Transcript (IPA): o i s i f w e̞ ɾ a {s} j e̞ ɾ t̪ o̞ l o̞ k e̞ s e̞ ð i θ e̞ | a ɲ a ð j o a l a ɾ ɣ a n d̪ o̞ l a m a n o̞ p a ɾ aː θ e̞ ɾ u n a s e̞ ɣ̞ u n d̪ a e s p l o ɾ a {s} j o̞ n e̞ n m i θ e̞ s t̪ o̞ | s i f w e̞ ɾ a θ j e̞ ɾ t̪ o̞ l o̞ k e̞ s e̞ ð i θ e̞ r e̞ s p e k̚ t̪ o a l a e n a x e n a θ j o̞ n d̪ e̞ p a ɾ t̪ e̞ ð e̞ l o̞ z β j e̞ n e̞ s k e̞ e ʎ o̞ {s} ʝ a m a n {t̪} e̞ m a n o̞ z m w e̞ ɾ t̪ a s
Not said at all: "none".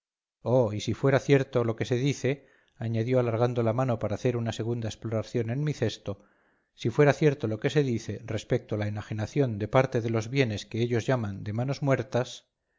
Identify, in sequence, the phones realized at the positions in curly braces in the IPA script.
θ, θ, z, d̪

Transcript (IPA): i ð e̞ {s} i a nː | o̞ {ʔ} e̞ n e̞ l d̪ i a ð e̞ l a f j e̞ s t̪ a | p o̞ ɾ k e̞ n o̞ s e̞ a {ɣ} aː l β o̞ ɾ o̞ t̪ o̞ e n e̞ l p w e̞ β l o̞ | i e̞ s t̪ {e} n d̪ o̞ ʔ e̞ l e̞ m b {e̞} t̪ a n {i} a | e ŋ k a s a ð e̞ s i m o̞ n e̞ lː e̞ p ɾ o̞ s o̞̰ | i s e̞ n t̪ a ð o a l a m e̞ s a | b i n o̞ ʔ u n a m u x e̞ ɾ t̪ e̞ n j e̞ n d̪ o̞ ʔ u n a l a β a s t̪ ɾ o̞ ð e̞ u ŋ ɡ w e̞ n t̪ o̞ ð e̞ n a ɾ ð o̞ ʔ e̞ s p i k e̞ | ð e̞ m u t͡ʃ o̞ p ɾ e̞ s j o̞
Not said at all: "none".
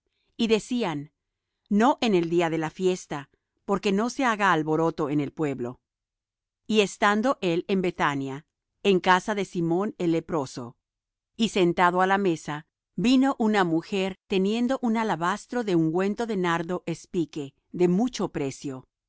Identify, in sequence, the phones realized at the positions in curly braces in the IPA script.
s, ʔ, ɣ, a, e̞, j

